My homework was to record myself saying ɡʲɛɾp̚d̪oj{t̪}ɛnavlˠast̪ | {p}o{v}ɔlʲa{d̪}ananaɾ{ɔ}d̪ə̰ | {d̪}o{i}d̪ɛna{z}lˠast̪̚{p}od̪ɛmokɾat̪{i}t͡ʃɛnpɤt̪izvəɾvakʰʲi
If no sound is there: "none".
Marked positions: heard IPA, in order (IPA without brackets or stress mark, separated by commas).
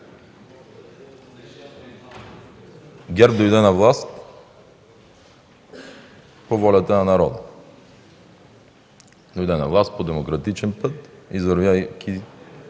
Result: d̪, p, v, t̪, ɔ, d̪, j, v, p, i